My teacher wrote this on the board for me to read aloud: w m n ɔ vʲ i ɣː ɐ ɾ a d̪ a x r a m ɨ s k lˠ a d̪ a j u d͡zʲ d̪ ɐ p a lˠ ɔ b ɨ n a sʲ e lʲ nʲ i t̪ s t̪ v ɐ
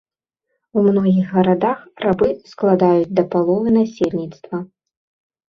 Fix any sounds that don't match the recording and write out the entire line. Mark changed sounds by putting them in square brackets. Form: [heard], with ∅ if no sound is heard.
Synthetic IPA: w m n ɔ [ɣʲ] i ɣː ɐ ɾ a d̪ a x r a [b] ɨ s k lˠ a d̪ a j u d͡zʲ d̪ ɐ p a lˠ ɔ [v] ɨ n a sʲ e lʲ nʲ i t̪ s t̪ v ɐ